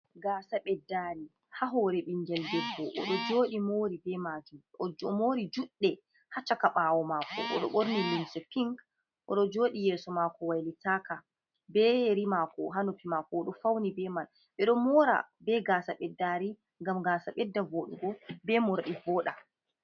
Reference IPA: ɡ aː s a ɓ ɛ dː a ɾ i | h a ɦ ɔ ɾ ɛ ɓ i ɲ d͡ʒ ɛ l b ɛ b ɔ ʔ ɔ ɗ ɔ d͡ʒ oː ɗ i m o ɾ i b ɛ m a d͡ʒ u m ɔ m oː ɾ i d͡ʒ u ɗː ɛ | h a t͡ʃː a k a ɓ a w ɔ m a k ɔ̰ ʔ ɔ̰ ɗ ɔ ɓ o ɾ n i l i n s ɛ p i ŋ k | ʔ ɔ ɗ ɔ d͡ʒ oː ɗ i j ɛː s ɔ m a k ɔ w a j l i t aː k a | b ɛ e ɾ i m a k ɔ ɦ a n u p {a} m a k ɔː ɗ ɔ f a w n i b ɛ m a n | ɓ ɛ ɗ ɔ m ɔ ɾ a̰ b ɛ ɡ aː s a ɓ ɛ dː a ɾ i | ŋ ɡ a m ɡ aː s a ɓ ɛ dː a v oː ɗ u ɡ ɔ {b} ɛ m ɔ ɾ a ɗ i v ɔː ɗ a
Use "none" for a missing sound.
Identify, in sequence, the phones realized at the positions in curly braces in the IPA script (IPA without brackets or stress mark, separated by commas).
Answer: i, b